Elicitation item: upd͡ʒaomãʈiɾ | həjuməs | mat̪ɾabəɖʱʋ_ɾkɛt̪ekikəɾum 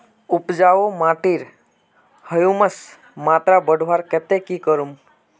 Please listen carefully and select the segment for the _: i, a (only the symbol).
a